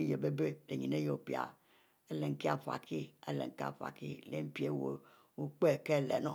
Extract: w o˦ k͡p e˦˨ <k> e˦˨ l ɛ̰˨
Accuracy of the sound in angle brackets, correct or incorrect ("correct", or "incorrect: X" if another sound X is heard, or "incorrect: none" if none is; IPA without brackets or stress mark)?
correct